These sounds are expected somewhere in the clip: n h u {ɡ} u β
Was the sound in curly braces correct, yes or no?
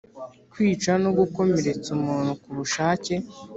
no